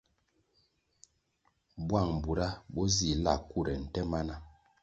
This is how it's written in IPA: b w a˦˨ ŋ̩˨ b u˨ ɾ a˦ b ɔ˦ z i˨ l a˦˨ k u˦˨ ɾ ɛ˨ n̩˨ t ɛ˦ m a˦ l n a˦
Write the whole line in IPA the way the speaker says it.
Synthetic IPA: b w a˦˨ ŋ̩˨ b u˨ ɾ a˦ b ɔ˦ z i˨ l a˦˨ k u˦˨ ɾ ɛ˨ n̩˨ t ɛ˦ m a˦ n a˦